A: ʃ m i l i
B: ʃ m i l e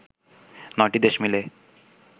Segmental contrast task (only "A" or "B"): B